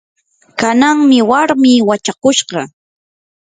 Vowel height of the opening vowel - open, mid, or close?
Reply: open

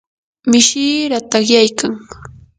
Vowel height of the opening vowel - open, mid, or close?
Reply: close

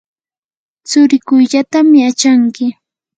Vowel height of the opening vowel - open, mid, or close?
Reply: close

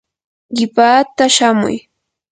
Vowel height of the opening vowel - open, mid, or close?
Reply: close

